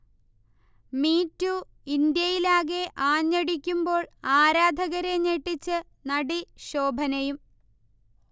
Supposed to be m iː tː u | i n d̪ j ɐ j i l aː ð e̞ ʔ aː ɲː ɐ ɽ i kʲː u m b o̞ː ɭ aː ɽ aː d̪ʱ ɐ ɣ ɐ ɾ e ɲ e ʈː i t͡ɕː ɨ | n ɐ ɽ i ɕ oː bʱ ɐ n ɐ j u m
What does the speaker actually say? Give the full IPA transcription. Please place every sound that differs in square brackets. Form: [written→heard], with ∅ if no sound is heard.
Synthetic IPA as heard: m iː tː u | i n d̪ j ɐ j i l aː [ð→ɣ] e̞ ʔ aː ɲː ɐ ɽ i kʲː u m b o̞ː ɭ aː [ɽ→ɾ] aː d̪ʱ ɐ ɣ ɐ ɾ e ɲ e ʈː i t͡ɕː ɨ | n ɐ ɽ i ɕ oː bʱ ɐ n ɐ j u m